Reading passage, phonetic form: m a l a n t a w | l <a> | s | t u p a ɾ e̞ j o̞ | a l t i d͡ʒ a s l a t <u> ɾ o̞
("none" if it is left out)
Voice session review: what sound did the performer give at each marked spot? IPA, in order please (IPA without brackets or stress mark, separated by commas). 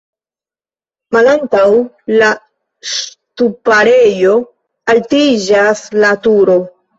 a, u